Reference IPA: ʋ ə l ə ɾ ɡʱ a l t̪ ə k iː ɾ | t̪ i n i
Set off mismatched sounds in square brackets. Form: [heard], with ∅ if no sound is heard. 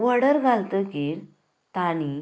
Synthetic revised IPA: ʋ ə [ɽ] ə ɾ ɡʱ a l t̪ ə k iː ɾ | t̪ [a] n i